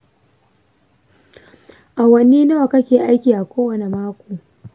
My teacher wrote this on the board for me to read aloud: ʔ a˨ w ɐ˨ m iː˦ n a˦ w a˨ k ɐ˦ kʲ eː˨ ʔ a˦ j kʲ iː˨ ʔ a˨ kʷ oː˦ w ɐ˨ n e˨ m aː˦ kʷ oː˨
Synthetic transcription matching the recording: ʔ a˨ w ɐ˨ n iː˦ n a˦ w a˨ k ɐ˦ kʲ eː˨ ʔ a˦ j kʲ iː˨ ʔ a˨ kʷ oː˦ w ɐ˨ n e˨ m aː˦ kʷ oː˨